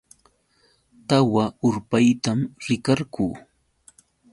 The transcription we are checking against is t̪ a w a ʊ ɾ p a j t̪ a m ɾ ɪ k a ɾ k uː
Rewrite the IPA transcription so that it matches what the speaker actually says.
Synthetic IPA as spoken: t̪ a w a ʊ ɾ p a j t̪ a m ɾ ɪ k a ɾ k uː